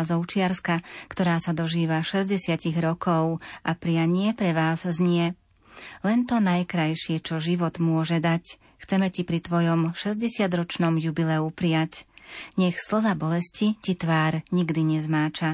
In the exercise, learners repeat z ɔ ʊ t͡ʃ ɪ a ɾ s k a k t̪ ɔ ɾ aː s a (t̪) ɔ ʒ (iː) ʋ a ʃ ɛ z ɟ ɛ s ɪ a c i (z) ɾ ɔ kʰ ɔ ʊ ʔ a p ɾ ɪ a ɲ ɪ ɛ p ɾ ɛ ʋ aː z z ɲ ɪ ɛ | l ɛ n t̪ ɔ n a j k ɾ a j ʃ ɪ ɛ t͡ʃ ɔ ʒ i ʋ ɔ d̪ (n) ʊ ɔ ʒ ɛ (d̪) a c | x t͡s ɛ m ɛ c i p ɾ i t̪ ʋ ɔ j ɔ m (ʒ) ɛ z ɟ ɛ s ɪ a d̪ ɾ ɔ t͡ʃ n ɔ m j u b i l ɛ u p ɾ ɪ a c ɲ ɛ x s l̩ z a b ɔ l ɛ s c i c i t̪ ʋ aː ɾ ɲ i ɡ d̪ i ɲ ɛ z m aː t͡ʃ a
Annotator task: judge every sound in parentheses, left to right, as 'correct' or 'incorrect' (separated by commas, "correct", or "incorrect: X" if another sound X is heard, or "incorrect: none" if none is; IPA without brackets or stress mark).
incorrect: d̪, correct, incorrect: ɣ, incorrect: m, correct, incorrect: ʃ